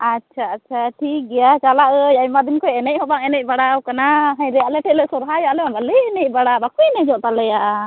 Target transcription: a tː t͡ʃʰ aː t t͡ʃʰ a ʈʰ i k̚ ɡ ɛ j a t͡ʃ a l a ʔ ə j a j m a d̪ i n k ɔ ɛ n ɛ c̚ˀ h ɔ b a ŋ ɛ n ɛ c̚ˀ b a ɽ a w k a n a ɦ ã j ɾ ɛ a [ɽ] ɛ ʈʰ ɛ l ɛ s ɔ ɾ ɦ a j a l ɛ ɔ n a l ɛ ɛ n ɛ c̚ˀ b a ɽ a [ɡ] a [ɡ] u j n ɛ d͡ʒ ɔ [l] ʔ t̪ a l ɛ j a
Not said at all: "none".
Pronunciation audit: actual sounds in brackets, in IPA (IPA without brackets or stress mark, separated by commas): l, b, k, none